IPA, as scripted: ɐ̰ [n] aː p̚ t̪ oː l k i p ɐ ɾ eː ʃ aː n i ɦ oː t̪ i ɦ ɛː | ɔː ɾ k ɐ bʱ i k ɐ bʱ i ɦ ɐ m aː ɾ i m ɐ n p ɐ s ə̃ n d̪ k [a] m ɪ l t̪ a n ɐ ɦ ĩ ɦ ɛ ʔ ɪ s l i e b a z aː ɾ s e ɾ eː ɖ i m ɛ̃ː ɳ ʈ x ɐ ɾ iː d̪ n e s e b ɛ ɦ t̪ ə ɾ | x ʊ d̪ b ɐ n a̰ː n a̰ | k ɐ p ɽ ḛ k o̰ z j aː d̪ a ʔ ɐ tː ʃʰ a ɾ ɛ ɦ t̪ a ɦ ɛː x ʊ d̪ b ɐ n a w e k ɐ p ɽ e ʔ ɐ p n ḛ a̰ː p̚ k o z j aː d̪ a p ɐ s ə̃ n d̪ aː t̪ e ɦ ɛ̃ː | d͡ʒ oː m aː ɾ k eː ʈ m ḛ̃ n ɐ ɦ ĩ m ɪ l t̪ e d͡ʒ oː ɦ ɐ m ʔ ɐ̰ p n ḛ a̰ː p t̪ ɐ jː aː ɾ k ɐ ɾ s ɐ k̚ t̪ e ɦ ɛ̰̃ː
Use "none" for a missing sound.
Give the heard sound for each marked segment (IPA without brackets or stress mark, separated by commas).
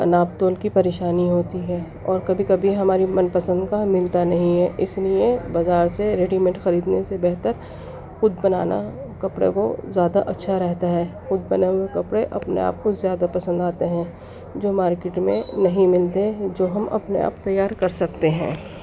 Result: n, a